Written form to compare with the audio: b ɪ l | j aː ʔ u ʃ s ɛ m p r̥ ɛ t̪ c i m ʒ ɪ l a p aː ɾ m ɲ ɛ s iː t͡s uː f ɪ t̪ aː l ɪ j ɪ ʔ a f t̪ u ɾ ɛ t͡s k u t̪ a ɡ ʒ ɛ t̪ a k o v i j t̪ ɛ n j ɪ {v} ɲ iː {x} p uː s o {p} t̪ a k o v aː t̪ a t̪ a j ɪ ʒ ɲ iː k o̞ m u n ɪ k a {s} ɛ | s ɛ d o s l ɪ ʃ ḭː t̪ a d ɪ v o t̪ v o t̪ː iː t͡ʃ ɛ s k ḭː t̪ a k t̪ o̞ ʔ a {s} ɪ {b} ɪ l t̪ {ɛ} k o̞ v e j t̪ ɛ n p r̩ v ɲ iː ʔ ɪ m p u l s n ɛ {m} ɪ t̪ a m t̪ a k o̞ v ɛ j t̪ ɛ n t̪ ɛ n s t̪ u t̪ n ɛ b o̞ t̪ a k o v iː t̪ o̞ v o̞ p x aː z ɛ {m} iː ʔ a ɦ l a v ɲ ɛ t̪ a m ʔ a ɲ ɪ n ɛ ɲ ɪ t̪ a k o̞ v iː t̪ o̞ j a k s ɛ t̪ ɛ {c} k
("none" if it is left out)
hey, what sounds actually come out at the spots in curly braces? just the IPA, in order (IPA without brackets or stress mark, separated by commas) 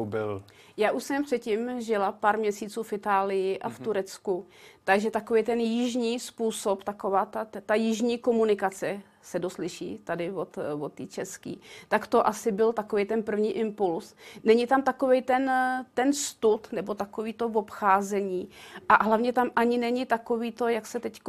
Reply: ʒ, s, p, t͡s, s, b, a, ɲ, ɲ, c